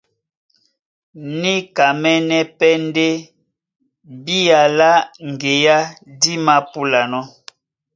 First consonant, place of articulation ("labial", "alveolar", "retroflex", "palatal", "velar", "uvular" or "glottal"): alveolar